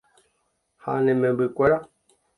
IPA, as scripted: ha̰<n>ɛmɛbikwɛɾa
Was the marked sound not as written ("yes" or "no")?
no